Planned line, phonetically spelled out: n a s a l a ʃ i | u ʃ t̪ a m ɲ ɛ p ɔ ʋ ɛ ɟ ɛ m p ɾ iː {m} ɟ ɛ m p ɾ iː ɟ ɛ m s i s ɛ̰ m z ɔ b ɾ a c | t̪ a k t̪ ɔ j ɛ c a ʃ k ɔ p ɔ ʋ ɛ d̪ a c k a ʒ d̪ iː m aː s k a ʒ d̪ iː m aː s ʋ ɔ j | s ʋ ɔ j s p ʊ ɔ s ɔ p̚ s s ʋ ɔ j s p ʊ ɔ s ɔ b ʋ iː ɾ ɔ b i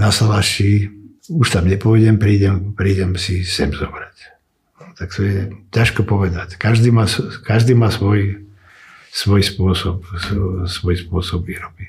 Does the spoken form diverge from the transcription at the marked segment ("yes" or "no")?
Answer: yes